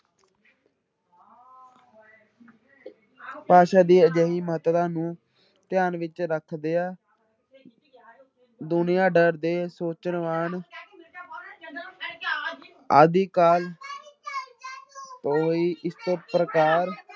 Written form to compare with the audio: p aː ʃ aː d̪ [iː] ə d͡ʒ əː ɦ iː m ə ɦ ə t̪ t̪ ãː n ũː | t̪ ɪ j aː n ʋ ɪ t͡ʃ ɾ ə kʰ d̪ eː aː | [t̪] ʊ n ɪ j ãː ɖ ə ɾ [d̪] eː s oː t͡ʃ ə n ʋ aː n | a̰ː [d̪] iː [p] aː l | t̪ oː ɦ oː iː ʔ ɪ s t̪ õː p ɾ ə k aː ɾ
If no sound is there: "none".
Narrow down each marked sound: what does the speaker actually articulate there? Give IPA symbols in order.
iː, d̪, d̪, d̪, k

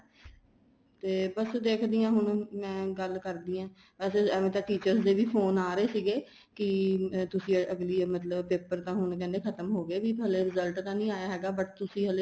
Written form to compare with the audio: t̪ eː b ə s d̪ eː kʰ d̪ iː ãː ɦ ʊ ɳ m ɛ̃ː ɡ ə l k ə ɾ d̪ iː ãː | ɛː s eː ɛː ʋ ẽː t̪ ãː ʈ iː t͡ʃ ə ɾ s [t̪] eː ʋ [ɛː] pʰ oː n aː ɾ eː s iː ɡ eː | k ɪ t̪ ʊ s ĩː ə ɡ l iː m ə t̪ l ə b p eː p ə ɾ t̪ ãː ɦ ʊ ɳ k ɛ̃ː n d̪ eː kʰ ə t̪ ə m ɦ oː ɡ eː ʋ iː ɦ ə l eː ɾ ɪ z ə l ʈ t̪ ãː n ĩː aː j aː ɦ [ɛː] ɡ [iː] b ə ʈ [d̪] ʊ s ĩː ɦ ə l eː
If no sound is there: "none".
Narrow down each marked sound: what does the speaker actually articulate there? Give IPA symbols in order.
d̪, iː, ɛː, aː, t̪

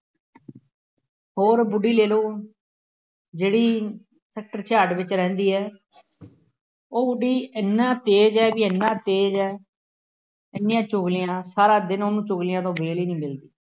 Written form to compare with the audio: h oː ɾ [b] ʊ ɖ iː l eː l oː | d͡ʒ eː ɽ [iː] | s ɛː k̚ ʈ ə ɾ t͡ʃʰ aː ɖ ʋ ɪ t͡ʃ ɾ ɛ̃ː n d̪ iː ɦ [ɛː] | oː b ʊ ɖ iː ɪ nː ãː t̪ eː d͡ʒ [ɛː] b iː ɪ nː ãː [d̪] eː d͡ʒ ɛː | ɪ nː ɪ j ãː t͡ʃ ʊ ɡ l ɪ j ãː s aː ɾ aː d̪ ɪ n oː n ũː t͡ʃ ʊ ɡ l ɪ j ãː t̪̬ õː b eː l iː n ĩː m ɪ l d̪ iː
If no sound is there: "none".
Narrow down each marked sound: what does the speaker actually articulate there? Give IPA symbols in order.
b, iː, ɛː, ɛː, t̪

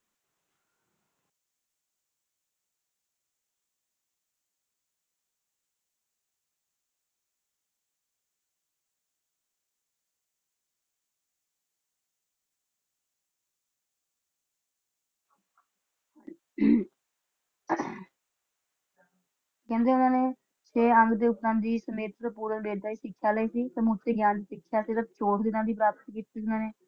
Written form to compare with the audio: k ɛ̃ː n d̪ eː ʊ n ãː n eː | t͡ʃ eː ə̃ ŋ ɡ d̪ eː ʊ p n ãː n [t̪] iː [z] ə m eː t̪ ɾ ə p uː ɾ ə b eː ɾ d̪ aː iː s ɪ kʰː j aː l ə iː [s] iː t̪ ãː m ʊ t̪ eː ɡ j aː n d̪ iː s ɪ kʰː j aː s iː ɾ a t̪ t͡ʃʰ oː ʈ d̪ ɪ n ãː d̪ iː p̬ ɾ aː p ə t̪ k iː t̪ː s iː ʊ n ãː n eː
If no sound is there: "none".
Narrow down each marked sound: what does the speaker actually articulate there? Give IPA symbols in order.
d̪, s, s

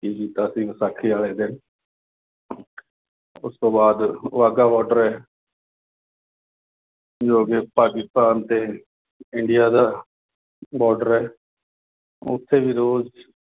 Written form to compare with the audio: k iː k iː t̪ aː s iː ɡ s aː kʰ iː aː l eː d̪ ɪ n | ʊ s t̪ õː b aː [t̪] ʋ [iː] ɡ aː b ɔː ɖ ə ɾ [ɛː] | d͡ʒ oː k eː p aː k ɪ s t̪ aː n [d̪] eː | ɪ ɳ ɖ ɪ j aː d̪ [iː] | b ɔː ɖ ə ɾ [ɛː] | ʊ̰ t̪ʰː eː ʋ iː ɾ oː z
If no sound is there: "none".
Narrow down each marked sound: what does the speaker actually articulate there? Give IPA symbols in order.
d̪, aː, ɛː, t̪, aː, ɛː

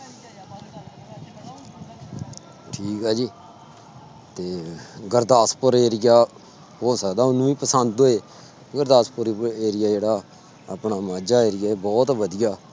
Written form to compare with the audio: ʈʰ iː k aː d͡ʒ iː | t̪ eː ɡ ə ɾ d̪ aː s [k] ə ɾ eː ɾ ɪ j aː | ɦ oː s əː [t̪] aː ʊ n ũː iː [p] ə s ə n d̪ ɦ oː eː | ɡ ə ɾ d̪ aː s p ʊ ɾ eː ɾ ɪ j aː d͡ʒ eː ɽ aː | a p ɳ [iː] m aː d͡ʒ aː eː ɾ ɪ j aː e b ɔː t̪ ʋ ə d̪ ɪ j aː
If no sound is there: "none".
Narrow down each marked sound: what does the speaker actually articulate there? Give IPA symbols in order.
p, d̪, p, aː

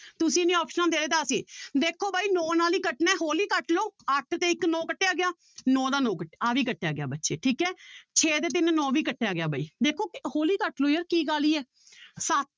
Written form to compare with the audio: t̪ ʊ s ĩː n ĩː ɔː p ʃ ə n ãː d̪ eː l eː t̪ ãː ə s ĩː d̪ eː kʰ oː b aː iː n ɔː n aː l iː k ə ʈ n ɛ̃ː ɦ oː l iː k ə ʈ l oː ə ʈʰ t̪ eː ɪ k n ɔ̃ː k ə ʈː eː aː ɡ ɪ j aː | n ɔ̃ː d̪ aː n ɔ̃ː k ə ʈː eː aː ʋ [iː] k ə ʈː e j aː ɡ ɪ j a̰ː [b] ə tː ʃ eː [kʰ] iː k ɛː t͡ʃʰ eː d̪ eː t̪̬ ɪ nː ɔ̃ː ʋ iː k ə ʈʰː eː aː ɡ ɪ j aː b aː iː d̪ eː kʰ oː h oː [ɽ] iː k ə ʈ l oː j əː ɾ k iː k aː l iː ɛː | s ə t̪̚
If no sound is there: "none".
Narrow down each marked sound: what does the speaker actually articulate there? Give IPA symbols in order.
iː, b, ʈʰ, l

